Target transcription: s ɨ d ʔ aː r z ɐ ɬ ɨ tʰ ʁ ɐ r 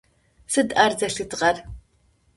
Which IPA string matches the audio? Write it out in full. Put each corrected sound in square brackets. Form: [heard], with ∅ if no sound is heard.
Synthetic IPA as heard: s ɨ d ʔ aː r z ɐ ɬ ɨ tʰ ʁ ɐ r